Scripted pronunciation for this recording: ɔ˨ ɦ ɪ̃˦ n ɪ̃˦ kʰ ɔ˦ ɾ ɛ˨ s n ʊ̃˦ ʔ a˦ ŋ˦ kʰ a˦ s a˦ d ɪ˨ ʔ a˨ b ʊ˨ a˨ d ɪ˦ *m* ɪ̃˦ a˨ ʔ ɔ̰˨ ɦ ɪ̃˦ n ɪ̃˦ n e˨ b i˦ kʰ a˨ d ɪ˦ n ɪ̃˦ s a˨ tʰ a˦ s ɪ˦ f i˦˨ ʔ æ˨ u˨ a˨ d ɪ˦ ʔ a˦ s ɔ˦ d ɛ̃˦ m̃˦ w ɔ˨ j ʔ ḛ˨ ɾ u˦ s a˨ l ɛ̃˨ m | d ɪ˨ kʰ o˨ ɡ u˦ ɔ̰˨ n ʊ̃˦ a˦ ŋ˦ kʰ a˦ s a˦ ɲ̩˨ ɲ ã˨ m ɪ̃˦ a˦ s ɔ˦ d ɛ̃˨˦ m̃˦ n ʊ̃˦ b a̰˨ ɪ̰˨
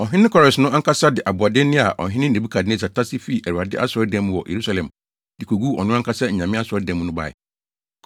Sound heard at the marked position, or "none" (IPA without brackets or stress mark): n